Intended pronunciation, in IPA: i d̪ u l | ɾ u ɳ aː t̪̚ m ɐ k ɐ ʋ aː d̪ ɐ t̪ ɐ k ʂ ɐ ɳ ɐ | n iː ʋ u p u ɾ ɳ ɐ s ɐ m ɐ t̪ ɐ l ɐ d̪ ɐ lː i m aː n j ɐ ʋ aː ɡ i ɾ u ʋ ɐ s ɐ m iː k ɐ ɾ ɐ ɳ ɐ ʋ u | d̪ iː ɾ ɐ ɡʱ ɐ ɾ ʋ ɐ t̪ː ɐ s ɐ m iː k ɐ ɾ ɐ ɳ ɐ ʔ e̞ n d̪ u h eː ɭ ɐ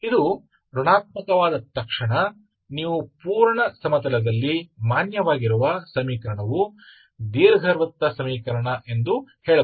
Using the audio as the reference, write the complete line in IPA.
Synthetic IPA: i d̪ u | ɾ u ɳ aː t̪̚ m ɐ k ɐ ʋ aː d̪ ɐ t̪ ɐ k ʂ ɐ ɳ ɐ | n iː ʋ u p uː ɾ ɳ ɐ s ɐ m ɐ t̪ ɐ l ɐ d̪ ɐ lː i m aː n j ɐ ʋ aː ɡ i ɾ u ʋ ɐ s ɐ m iː k ɐ ɾ ɐ ɳ ɐ ʋ u | d̪ iː ɾ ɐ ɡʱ ɐ ɾ ʋ ɐ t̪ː ɐ s ɐ m iː k ɐ ɾ ɐ ɳ ɐ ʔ e̞ n d̪ u h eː ɭ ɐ

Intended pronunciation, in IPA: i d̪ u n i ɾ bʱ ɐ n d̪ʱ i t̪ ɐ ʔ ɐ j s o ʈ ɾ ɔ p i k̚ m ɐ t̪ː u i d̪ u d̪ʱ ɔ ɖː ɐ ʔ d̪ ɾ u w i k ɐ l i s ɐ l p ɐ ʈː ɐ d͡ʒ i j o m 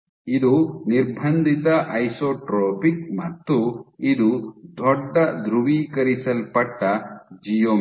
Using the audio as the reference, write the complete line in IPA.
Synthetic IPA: i d̪ u n i ɾ bʱ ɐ n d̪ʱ i t̪ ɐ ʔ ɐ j s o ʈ ɾ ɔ p i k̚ m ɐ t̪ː u i d̪ u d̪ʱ ɔ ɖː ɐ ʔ d̪ ɾ u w i k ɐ ɾ i s ɐ l p ɐ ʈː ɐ d͡ʒ i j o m

